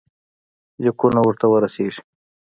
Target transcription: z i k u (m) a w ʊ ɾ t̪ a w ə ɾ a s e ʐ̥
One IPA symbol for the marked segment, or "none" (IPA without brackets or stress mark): n